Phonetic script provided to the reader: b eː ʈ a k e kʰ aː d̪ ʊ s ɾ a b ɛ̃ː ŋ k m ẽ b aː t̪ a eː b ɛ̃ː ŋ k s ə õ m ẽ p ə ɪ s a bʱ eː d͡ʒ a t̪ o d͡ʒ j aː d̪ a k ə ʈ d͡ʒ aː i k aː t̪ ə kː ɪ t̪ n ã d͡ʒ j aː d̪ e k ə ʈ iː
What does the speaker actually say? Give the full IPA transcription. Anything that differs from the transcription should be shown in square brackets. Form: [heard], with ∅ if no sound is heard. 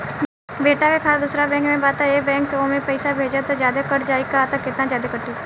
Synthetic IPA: b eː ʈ a k e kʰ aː d̪ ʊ s ɾ a b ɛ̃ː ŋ k m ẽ b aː t̪ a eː b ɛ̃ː ŋ k s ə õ m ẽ p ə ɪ s a bʱ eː d͡ʒ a t̪ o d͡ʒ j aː d̪ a k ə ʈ d͡ʒ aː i k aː t̪ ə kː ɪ t̪ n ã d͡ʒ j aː d̪ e k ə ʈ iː